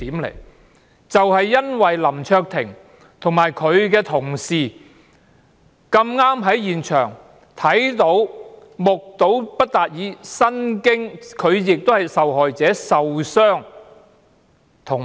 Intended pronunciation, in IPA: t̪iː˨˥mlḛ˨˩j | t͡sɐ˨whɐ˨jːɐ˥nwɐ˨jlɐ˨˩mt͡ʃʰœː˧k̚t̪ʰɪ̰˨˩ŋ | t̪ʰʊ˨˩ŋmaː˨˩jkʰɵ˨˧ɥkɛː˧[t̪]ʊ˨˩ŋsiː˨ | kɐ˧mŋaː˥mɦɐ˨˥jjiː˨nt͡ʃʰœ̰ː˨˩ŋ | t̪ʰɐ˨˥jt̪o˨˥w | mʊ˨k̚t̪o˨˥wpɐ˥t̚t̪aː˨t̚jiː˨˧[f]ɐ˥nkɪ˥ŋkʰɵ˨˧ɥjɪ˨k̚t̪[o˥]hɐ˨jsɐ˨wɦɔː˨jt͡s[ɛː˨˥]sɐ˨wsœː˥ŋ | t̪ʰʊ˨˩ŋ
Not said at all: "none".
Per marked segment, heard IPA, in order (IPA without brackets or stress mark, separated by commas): t̪ʰ, s, o˥, ɛː˨˥